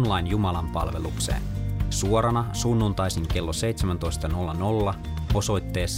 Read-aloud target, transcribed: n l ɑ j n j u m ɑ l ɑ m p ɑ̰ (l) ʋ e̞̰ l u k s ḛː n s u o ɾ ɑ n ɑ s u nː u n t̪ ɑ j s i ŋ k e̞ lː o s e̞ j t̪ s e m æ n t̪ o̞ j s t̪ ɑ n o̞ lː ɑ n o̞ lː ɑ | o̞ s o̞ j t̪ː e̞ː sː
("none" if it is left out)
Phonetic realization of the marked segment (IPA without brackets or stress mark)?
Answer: l